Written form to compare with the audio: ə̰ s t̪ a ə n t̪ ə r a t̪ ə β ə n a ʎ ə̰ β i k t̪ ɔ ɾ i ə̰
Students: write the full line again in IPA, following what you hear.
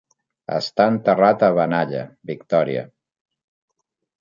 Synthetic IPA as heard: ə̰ s t̪ a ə n t̪ ə r a t̪ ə β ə n a ʎ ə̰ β i k t̪ ɔ ɾ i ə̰